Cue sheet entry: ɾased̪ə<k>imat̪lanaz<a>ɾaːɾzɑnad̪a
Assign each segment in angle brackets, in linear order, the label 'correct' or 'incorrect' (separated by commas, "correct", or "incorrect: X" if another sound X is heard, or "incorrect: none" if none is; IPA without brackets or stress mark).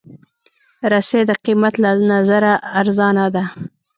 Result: incorrect: q, correct